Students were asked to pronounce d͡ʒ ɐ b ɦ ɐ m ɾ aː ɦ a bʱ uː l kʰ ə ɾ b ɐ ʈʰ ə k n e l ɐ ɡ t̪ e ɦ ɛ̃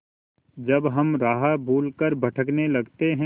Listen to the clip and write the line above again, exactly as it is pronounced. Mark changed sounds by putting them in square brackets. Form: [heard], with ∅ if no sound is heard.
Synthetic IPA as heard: d͡ʒ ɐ b ɦ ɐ m ɾ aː ɦ a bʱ uː l [k] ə ɾ b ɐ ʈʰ ə k n e l ɐ ɡ t̪ e ɦ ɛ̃